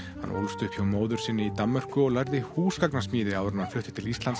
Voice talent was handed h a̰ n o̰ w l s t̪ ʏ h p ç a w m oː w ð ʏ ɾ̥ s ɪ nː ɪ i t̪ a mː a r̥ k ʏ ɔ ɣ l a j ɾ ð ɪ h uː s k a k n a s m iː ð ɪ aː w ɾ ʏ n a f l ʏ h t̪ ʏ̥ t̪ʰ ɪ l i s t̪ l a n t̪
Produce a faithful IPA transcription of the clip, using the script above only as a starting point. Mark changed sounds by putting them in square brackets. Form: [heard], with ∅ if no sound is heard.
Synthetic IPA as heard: h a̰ n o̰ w l s t̪ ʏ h p ç a w m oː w ð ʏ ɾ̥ s ɪ nː ɪ i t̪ a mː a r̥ k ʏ ɔ ɣ l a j ɾ ð ɪ h uː s k a k n a s m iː ð ɪ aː w ɾ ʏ n a f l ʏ h t̪ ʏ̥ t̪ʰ ɪ l i s t̪ l a n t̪